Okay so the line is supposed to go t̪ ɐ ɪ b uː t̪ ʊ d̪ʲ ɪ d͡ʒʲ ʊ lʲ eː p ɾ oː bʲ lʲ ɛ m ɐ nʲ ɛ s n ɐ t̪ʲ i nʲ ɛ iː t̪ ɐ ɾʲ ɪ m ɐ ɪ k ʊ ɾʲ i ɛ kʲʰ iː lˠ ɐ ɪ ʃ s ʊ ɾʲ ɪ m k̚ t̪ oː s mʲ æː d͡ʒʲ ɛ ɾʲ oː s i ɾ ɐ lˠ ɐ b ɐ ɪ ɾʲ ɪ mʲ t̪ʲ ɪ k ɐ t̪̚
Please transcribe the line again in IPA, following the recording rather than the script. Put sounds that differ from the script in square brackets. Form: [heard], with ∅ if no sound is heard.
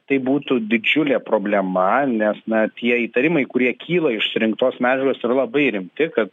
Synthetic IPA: t̪ ɐ ɪ b uː t̪ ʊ d̪ʲ ɪ d͡ʒʲ ʊ lʲ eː p ɾ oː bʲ lʲ ɛ m ɐ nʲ ɛ s n ɐ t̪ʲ i [∅] ɛ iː t̪ ɐ ɾʲ ɪ m ɐ ɪ k ʊ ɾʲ i ɛ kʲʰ iː lˠ ɐ ɪ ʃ s ʊ ɾʲ ɪ [ŋ] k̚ t̪ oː s mʲ æː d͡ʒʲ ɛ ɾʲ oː s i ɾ ɐ lˠ ɐ b ɐ ɪ ɾʲ ɪ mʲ t̪ʲ ɪ k ɐ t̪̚

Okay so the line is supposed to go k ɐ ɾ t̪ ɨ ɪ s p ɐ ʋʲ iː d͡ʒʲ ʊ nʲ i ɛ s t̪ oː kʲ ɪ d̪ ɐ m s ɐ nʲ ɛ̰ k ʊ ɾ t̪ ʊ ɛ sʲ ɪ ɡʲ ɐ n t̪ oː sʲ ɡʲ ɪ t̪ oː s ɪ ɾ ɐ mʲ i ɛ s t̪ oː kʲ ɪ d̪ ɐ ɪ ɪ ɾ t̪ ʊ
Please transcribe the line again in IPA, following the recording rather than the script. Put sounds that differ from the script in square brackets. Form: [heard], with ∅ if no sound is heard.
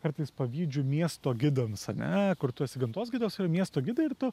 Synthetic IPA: k ɐ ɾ t̪ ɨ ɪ s p ɐ ʋʲ iː d͡ʒʲ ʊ [mʲ] i ɛ s t̪ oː [ɡʲ] ɪ d̪ ɐ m s ɐ nʲ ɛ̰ k ʊ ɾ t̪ ʊ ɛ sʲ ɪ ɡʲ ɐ n t̪ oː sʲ ɡʲ ɪ [d̪] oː s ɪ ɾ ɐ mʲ i ɛ s t̪ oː [ɡʲ] ɪ d̪ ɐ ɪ ɪ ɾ t̪ ʊ

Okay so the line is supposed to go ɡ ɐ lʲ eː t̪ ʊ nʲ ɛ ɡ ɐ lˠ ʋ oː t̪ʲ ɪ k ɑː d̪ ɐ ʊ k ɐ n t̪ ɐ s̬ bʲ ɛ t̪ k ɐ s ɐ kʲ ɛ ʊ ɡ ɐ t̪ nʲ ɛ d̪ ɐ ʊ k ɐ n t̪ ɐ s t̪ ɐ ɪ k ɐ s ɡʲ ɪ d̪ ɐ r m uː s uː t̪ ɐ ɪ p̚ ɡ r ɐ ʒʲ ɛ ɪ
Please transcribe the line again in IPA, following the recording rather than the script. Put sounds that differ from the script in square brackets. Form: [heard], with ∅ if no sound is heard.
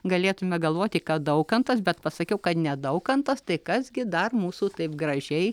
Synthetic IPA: ɡ ɐ lʲ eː t̪ ʊ [mʲ] ɛ ɡ ɐ lˠ ʋ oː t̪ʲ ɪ k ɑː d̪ ɐ ʊ k ɐ n t̪ ɐ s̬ bʲ ɛ t̪ [p] ɐ s ɐ kʲ ɛ ʊ [k] ɐ t̪ nʲ ɛ d̪ ɐ ʊ k ɐ n t̪ ɐ s t̪ ɐ ɪ k ɐ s ɡʲ ɪ d̪ ɐ r m uː s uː t̪ ɐ ɪ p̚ ɡ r ɐ ʒʲ ɛ ɪ

